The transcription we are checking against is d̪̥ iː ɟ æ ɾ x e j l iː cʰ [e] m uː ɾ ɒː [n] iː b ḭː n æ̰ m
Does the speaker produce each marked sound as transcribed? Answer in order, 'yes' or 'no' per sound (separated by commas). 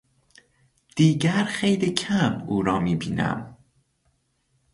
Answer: no, no